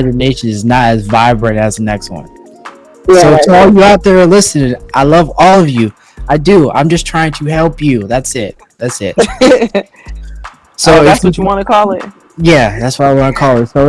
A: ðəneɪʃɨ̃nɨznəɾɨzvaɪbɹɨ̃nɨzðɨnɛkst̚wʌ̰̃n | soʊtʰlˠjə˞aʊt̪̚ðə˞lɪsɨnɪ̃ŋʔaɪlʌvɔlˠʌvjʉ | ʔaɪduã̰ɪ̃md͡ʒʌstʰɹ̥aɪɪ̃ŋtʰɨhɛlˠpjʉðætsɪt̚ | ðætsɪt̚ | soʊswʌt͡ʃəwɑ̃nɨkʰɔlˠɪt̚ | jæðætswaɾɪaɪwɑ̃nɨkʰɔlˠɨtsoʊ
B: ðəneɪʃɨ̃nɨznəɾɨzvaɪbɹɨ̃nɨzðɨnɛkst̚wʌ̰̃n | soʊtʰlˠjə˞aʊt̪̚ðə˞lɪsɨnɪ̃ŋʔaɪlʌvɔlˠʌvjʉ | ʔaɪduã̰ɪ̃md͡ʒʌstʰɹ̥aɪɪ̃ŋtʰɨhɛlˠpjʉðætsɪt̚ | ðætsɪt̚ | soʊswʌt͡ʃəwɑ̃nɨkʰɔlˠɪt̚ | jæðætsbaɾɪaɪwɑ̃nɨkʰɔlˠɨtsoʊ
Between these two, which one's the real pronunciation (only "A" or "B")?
A